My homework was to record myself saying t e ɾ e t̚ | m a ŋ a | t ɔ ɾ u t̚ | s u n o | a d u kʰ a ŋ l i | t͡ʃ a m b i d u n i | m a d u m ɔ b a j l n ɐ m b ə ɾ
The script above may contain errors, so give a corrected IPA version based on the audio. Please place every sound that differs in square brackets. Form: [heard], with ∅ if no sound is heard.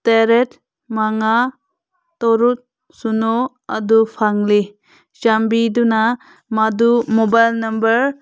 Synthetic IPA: t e ɾ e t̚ | m a ŋ a | t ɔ ɾ u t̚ | s u n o | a d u [pʰ] a ŋ l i | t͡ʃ a m b i d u n [a] | m a d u m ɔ b a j l n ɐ m b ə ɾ